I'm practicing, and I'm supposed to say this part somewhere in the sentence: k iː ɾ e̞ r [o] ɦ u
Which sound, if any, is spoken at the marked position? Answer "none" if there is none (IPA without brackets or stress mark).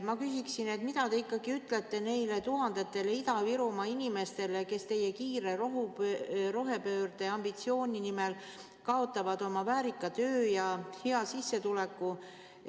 o